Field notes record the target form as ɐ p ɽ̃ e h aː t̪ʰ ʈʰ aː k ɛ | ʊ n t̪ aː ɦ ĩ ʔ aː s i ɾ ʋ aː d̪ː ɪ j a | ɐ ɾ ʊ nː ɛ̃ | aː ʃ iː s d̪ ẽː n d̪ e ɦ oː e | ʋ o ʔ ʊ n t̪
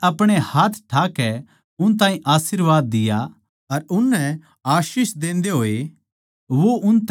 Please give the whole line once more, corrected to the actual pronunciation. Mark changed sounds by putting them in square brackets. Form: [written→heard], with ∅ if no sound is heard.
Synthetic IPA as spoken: ɐ p ɽ̃ e h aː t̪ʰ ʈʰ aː k ɛ | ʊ n t̪ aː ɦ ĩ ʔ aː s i ɾ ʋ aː d̪ː ɪ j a | ɐ ɾ ʊ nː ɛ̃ | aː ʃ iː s d̪ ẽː n d̪ e ɦ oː e | ʋ o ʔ ʊ n t̪